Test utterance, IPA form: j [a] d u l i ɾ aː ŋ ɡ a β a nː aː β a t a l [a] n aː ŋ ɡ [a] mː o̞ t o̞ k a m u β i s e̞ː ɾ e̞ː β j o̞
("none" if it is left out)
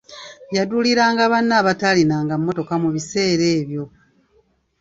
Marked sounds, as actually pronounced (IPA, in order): a, i, a

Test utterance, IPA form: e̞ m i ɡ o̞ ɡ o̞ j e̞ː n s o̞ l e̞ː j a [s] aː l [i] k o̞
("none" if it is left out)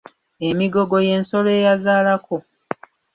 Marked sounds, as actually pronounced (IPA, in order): z, a

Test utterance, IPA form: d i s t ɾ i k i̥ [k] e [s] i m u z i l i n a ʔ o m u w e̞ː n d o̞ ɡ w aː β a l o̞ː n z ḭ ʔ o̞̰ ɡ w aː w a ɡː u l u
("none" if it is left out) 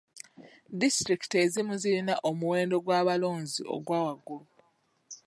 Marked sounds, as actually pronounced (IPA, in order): t, z

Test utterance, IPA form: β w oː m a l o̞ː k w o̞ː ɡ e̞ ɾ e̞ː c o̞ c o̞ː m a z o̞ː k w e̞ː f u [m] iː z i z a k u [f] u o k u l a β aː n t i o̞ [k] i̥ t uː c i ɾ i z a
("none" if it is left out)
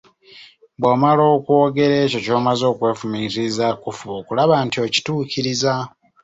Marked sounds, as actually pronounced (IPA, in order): m, f, c

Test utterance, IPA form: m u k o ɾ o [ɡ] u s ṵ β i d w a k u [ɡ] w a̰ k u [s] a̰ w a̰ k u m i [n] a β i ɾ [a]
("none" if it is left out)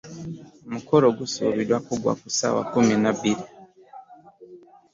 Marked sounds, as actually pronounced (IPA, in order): ɡ, ɡ, s, n, i

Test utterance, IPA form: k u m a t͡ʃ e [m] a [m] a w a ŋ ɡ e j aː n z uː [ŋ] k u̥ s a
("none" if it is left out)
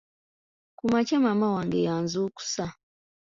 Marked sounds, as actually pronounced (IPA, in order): m, m, none

